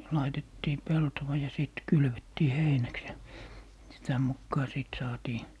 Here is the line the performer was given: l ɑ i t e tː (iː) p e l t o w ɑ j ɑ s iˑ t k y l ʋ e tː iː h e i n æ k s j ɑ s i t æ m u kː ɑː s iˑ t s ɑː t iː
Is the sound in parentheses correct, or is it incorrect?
correct